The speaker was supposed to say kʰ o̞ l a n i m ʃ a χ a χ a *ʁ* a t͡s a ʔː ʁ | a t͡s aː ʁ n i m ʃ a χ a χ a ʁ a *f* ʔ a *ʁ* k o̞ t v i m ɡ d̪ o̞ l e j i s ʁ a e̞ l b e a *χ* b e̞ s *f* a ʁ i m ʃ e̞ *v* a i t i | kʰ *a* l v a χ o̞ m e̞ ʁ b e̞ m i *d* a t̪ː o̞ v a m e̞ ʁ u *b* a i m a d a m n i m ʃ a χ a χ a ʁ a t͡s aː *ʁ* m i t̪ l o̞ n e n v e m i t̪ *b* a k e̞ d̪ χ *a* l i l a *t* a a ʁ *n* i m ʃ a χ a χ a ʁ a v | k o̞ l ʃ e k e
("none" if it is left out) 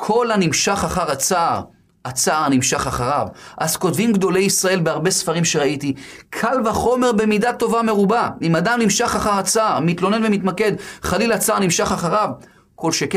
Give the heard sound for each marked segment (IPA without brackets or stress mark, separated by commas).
ʁ, v, z, ʁ, f, ʁ, a, d, b, ʁ, m, a, t͡s, n